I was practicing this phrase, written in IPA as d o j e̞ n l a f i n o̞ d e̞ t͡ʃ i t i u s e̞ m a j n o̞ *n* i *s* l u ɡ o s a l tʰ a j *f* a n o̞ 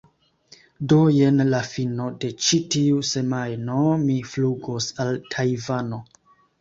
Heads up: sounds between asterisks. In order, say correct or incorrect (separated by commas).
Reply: incorrect, incorrect, incorrect